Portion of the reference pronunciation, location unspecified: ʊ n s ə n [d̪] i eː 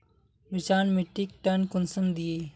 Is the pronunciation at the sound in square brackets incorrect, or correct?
correct